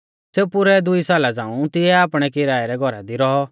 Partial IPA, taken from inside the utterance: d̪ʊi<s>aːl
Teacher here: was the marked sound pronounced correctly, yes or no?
yes